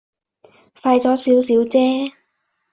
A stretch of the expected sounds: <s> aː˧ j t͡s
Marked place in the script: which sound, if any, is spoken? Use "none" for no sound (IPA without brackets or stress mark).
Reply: f